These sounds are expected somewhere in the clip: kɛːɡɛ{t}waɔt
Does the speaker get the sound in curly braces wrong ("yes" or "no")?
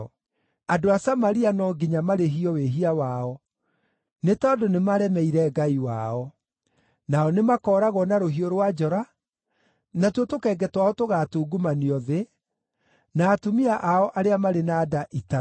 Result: no